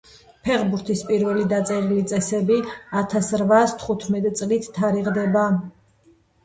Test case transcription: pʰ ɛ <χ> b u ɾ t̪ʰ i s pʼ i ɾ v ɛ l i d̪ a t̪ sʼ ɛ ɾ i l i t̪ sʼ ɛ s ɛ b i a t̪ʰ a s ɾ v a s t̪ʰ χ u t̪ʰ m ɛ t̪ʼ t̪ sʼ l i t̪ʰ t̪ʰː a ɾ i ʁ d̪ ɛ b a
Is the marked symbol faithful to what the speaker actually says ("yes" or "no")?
no